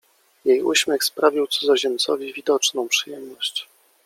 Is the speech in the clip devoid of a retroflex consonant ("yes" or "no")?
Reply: no